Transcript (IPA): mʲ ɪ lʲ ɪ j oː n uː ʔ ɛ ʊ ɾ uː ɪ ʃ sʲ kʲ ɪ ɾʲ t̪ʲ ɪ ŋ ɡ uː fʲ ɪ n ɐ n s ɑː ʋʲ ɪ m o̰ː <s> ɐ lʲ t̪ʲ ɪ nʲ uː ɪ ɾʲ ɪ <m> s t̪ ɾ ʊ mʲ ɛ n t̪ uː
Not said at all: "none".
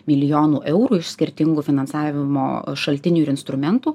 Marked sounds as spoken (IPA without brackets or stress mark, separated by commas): ʃ, n